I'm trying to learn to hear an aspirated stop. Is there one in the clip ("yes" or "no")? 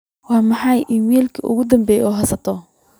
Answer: yes